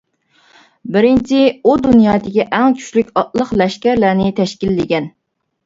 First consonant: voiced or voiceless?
voiced